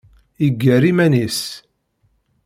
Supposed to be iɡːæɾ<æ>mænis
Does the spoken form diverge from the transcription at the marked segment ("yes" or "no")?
yes